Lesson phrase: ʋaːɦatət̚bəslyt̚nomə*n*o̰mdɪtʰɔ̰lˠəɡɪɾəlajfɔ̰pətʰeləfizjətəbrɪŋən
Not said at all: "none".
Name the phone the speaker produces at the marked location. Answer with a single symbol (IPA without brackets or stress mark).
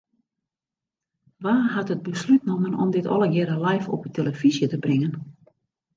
n